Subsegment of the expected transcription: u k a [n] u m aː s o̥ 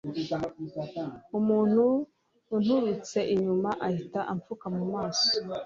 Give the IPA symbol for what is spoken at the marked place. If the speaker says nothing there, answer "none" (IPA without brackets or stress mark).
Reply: m